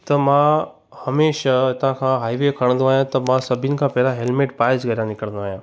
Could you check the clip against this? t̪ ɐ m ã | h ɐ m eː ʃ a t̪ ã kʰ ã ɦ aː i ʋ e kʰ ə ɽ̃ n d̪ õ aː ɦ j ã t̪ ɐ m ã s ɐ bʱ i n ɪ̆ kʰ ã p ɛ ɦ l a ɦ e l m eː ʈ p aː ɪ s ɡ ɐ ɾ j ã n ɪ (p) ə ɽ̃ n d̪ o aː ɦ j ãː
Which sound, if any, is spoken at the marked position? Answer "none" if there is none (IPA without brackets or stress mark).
k